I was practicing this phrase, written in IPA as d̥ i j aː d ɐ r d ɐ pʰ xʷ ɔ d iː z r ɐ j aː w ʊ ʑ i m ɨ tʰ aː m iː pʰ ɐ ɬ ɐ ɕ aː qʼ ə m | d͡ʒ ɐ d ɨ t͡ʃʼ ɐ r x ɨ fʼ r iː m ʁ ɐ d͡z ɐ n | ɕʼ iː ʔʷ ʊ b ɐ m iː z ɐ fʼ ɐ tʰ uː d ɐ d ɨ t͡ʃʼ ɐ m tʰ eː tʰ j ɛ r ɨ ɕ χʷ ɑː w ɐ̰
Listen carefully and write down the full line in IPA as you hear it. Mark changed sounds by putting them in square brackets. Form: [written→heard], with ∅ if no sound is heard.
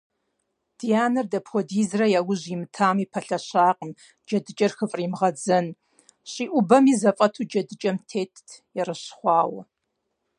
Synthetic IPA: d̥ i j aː [d→n] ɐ r d ɐ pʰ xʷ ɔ d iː z r ɐ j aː w ʊ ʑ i m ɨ tʰ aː m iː pʰ ɐ ɬ ɐ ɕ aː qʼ ə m | d͡ʒ ɐ d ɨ t͡ʃʼ ɐ r x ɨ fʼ r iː m ʁ ɐ d͡z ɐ n | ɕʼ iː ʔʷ ʊ b ɐ m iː z ɐ fʼ ɐ tʰ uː [d→d͡ʒ] ɐ d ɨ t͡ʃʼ ɐ m tʰ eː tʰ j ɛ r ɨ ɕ χʷ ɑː w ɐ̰